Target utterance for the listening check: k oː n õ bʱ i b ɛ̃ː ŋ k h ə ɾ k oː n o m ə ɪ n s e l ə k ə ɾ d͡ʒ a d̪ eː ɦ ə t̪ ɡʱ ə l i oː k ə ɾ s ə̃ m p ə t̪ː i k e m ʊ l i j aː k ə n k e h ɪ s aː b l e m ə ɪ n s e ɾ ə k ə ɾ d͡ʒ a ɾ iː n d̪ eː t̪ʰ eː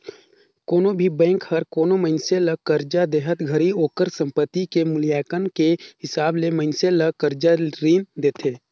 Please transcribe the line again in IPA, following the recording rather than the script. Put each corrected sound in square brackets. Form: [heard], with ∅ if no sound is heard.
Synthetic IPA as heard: k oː n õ bʱ i b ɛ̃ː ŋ k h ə ɾ k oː n o m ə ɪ n s e l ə k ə ɾ d͡ʒ a d̪ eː ɦ ə t̪ ɡʱ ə [ɾ] i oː k ə ɾ s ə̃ m p ə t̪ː i k e m ʊ l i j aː k ə n k e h ɪ s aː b l e m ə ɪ n s e [l] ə k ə ɾ d͡ʒ a ɾ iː n d̪ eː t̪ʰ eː